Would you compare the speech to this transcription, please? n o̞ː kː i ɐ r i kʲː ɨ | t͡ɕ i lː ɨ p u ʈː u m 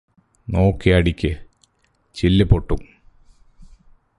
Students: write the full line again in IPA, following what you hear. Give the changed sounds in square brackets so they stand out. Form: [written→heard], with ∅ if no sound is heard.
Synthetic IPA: n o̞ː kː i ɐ [r→ɽ] i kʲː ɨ | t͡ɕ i lː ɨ p [u→o] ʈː u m